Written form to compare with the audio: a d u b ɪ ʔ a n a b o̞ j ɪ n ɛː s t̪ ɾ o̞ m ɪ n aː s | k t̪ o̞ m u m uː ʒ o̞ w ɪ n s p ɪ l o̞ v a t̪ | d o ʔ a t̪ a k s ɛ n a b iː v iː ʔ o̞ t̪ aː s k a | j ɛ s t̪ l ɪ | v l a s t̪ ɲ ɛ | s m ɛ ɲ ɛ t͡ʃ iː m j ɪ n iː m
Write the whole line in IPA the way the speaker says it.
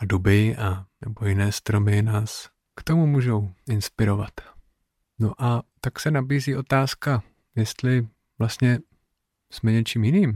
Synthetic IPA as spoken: a d u b ɪ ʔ a n ɛ b o̞ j ɪ n ɛː s t̪ ɾ o̞ m ɪ n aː s | k t̪ o̞ m u m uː ʒ o̞ w ɪ n s p ɪ ɾ o̞ v a t̪ | n o ʔ a t̪ a k s ɛ n a b iː z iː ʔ o̞ t̪ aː s k a | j ɛ s t̪ l ɪ | v l a s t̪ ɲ ɛ | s m ɛ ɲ ɛ t͡ʃ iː m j ɪ n iː m